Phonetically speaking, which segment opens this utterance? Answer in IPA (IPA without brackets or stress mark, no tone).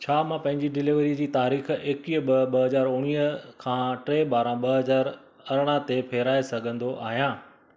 t͡ɕʰ